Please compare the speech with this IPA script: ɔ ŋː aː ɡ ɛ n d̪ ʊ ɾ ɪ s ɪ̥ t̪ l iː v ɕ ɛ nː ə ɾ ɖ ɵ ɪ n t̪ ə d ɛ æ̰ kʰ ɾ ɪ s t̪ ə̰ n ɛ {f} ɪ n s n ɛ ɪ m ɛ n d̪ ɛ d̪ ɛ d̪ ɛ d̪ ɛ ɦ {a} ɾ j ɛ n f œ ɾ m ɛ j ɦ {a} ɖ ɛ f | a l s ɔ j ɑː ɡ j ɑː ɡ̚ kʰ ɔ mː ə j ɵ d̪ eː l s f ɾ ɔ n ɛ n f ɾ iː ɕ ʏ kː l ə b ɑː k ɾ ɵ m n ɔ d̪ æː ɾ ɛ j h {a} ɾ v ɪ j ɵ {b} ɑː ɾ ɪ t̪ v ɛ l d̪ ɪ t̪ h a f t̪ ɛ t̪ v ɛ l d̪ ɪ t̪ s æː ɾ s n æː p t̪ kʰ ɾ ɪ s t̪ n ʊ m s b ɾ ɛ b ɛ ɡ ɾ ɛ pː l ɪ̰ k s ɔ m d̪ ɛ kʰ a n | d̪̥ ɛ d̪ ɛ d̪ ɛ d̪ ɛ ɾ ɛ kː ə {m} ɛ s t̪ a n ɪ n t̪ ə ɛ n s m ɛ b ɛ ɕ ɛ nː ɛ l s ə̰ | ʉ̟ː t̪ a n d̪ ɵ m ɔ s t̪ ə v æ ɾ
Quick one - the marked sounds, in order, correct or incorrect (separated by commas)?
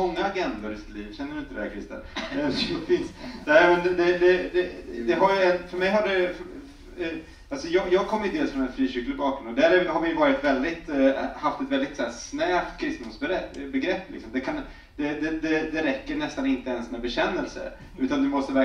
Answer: correct, correct, correct, correct, incorrect, incorrect